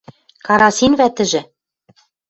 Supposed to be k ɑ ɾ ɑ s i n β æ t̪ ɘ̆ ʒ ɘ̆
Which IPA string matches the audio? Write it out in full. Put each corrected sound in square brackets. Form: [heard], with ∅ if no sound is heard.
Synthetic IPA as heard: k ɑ ɾ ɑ s i n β æ t̪ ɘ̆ ʒ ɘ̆